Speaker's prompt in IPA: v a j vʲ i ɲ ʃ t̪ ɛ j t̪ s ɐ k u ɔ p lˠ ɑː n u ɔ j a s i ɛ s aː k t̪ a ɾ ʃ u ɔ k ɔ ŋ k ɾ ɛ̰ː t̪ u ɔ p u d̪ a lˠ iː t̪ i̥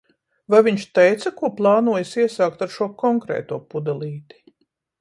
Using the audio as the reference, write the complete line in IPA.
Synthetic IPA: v a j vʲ i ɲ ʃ t̪ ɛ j t̪ s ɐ k u ɔ p lˠ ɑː n u ɔ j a s i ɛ s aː k t̪ a ɾ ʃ u ɔ k ɔ ŋ k ɾ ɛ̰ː t̪ u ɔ p u d̪ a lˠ iː t̪ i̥